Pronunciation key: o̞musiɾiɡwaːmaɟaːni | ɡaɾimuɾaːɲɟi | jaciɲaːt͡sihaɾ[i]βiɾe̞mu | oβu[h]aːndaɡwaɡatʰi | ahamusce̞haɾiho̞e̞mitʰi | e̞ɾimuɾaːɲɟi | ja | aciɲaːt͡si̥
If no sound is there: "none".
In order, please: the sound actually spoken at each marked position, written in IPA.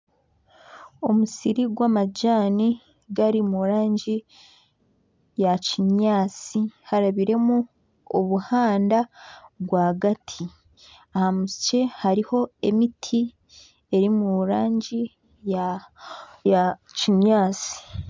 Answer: a, h

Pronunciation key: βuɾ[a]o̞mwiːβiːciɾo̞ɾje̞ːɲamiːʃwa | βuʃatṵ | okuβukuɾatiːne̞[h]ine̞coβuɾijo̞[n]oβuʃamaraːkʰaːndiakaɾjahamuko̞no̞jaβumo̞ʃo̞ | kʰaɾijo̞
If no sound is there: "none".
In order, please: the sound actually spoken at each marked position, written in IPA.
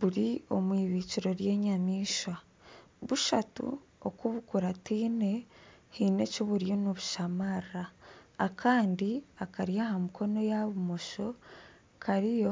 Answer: i, h, n

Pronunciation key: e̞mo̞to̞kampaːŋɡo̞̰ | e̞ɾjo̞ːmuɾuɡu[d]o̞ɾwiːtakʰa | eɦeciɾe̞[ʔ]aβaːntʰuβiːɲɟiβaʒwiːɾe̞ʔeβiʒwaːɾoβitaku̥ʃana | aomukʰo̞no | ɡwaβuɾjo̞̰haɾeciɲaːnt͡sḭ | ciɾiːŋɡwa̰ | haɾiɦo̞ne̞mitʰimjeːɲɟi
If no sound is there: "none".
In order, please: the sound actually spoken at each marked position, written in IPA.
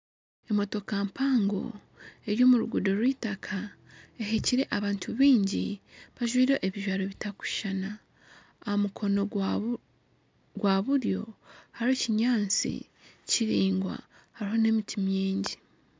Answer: d, ʔ

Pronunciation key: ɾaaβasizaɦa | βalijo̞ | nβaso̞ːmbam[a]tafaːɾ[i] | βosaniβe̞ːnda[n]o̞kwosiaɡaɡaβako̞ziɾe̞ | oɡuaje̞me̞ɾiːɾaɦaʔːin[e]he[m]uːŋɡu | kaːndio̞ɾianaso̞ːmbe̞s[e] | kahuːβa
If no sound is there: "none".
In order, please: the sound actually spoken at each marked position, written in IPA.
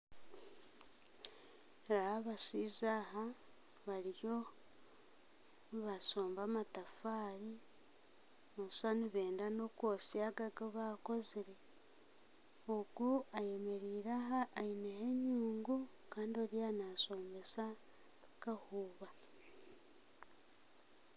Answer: a, i, n, e, ɲ, a

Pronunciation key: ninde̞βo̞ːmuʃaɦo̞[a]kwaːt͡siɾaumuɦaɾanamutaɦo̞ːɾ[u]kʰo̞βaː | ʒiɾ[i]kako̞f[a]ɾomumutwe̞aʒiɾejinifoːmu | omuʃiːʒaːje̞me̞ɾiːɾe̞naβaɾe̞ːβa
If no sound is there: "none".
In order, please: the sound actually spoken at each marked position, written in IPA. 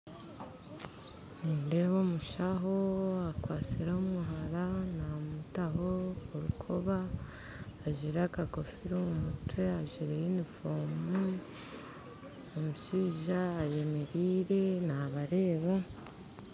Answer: a, u, a, i

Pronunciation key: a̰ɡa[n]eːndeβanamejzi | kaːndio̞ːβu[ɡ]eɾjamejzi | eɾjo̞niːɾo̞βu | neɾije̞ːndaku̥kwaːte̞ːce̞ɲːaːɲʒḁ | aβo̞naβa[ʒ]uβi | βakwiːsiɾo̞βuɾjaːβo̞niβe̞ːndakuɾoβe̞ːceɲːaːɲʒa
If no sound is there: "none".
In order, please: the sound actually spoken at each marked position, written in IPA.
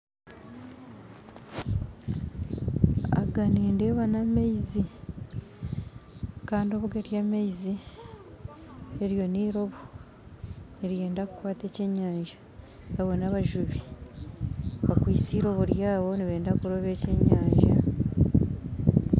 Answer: n, ɡ, ʒ

